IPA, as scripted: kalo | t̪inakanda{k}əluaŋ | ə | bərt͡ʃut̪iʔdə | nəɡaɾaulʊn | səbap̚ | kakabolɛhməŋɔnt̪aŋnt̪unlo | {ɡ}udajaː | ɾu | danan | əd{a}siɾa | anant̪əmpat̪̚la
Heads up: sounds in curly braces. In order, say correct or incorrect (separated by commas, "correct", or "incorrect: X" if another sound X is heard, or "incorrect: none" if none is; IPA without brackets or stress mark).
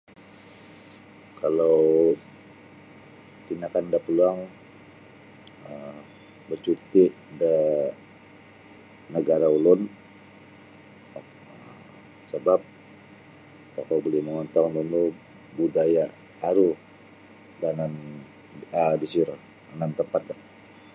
incorrect: p, incorrect: b, incorrect: i